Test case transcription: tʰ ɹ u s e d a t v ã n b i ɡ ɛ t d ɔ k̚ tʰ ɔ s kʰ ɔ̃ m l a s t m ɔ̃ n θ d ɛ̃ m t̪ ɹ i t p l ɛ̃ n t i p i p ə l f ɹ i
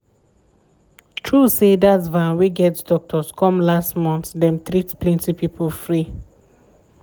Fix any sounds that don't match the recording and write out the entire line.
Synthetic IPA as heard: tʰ ɹ u s e d a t v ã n w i ɡ ɛ t d ɔ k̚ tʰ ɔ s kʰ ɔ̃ m l a s t m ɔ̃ n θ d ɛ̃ m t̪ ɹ i t p l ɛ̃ n t i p i p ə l f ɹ i